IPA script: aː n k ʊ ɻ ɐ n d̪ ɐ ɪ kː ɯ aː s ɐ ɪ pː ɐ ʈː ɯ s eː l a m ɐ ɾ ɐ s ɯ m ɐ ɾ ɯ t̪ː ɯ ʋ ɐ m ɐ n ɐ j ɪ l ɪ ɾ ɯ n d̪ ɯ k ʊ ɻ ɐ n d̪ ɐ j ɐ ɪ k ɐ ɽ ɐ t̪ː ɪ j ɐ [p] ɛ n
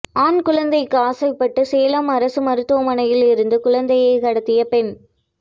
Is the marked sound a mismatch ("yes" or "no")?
no